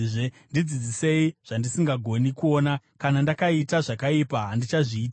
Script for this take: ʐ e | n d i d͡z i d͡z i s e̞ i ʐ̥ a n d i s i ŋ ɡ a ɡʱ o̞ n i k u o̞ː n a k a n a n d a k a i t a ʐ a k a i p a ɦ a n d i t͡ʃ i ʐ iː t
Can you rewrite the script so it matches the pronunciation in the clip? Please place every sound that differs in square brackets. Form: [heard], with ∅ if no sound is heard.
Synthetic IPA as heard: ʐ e | n d i d͡z i d͡z i s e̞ i ʐ̥ a n d i s i ŋ ɡ a ɡʱ o̞ n i k u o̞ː n a k a n a n d a k a i t a ʐ a k a i p a ɦ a n d i t͡ʃ [a] ʐ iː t